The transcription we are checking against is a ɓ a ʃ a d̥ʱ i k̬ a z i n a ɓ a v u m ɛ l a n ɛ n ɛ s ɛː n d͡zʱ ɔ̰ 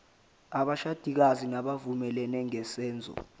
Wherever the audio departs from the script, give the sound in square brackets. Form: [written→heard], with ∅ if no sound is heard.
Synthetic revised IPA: a ɓ a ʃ a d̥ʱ i k̬ a z i n a ɓ a v u m ɛ l [a→ɛ] n ɛ [n→ŋ] ɛ s ɛː n d͡zʱ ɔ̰